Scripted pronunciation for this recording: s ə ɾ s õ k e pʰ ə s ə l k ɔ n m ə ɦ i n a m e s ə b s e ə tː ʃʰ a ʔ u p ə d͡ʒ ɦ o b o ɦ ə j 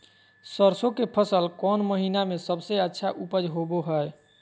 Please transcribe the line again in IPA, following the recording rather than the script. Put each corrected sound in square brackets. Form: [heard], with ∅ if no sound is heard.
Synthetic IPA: s ə ɾ s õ k e pʰ ə s ə l k ɔ n m ə ɦ i n a m e s ə b s e ə tː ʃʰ a ʔ u p ə d͡ʒ ɦ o b o ɦ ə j